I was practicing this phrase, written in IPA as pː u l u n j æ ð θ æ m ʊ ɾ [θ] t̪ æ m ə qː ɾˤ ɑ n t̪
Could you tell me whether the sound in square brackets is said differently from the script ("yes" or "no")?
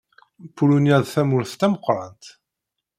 no